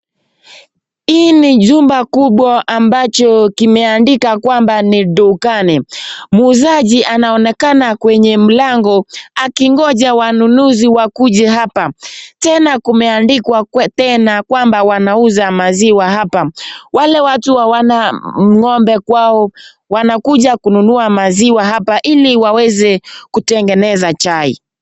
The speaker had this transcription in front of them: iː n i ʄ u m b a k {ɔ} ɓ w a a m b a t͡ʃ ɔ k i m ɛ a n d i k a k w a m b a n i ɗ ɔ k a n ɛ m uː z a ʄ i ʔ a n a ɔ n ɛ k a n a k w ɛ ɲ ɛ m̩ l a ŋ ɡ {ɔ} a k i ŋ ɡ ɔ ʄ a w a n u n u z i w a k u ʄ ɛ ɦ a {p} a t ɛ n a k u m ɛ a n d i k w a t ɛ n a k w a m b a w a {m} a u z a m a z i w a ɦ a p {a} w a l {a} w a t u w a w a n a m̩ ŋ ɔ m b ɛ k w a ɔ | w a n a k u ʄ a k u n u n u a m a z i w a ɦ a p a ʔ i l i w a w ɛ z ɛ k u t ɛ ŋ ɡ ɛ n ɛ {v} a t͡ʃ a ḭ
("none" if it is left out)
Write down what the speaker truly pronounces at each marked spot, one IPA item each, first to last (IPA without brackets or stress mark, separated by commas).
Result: u, ɔ, p, n, a, ɛ, z